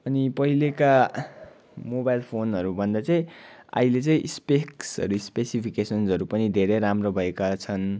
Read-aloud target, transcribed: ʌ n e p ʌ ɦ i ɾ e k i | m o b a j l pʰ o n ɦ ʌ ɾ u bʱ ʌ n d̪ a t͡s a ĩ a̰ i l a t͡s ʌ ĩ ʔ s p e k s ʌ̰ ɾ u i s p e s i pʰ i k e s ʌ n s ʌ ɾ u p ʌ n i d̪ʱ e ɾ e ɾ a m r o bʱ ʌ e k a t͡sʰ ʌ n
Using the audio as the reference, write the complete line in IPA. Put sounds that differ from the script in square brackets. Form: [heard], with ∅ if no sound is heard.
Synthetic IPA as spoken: ʌ n [i] p ʌ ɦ i [l] e k [a] | m o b a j l pʰ o n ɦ ʌ ɾ u bʱ ʌ n d̪ a t͡s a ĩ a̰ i l [e] t͡s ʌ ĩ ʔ s p e k s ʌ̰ ɾ u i s p e s i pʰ i k e s ʌ n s ʌ ɾ u p ʌ n i d̪ʱ e ɾ e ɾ a m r o bʱ ʌ e k a t͡sʰ ʌ n